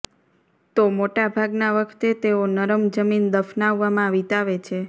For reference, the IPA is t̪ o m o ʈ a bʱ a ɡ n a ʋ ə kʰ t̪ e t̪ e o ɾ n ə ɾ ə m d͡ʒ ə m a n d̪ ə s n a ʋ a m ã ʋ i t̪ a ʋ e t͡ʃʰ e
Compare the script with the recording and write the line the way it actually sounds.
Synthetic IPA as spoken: t̪ o m o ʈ a bʱ a ɡ n a ʋ ə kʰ t̪ e t̪ e o n ə ɾ ə m d͡ʒ ə m i n d̪ ə f n a ʋː a m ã ʋ i t̪ a ʋ e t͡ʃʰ e